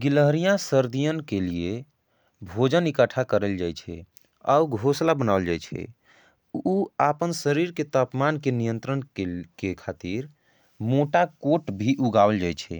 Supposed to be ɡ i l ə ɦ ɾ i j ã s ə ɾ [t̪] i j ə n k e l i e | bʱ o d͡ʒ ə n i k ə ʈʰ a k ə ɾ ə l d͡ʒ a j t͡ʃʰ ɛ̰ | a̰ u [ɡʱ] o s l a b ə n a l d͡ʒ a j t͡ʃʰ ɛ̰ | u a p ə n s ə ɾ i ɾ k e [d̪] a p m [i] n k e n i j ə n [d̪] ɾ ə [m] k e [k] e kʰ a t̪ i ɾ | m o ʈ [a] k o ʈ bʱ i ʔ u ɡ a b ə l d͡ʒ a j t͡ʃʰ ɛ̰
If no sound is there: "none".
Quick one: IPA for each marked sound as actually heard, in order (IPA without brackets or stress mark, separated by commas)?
d̪, ɡʱ, t̪, a, t̪, n, k, a